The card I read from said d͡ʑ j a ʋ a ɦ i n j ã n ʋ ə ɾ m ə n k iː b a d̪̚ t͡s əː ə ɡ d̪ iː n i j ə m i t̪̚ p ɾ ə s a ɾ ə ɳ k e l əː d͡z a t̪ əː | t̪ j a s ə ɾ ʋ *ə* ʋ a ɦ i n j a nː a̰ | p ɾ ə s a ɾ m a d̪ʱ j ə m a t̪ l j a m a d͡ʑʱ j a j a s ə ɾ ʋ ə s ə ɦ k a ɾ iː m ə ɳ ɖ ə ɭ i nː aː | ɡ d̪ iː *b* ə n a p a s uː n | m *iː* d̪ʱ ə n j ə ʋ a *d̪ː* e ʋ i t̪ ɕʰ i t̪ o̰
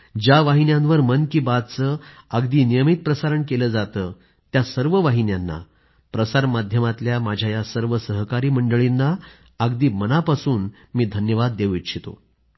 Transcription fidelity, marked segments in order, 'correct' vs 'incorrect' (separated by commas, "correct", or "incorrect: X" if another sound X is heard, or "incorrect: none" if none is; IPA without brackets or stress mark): correct, incorrect: m, correct, correct